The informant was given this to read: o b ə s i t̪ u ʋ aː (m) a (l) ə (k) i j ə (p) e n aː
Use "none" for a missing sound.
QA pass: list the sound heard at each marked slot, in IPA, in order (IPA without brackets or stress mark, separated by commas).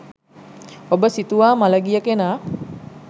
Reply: m, l, ɡ, k